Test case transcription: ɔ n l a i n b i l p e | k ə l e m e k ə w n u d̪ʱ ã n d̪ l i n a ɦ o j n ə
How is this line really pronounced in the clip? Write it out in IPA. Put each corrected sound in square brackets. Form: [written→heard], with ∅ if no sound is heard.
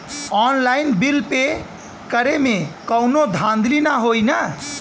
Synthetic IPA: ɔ n l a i n b i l p e | k ə [l→ɾ] e m e k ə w n [u→o] d̪ʱ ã n d̪ l i n a ɦ o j n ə